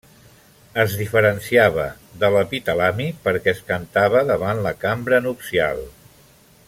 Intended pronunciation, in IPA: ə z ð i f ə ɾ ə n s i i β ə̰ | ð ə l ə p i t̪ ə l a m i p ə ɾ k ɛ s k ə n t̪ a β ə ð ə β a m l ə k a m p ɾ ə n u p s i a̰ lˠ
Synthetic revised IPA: ə z ð i f ə ɾ ə n s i a β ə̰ | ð ə l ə p i t̪ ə l a m i p ə ɾ k ɛ s k ə n t̪ a β ə ð ə β a n l ə k a m b ɾ ə n u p s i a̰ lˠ